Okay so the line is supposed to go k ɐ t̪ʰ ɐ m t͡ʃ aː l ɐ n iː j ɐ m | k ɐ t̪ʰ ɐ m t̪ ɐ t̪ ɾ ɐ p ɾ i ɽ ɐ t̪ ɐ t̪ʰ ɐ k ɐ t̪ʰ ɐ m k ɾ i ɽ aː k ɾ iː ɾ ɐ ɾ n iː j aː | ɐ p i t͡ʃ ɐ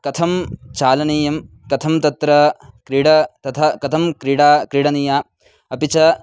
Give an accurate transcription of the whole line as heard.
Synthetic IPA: k ɐ t̪ʰ ɐ m t͡ʃ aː l ɐ n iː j ɐ m | k ɐ t̪ʰ ɐ m t̪ ɐ t̪ ɾ ɐ k ɾ i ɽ ɐ t̪ ɐ t̪ʰ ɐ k ɐ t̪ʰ ɐ m k ɾ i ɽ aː k ɾ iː ɽ ɐ n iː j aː | ɐ p i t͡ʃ ɐ